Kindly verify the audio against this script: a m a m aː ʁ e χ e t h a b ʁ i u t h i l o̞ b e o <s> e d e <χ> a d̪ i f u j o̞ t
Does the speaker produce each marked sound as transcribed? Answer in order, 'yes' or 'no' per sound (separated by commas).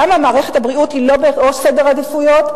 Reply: yes, no